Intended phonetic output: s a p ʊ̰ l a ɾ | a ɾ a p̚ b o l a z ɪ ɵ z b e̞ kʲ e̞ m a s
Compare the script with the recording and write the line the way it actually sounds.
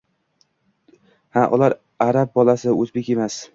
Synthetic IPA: h a ʔ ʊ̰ l a ɾ | a ɾ a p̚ b ɒ l a s ɪ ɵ z b e̞ kʲ e̞ m a s